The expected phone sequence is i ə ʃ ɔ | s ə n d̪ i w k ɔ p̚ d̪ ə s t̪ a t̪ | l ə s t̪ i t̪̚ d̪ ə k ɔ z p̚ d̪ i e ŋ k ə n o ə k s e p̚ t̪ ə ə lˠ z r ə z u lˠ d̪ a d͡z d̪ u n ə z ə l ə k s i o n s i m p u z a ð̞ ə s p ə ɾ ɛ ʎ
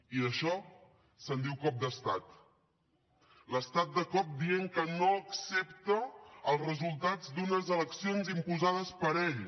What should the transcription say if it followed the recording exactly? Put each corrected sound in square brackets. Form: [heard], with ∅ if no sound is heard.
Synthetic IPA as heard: i ə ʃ ɔ | s ə n d̪ i w k ɔ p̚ d̪ ə s t̪ a t̪ | l ə s t̪ [a] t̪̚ d̪ ə k ɔ [∅] p̚ d̪ i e ŋ k ə n o ə k s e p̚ t̪ ə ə lˠ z r ə z u lˠ [t̪] a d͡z d̪ u n ə z ə l ə k s i o n [z] i m p u z a ð̞ ə s p ə ɾ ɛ ʎ